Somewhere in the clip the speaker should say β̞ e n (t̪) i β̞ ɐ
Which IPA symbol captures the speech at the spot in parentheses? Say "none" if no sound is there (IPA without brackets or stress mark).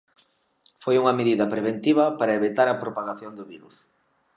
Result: t̪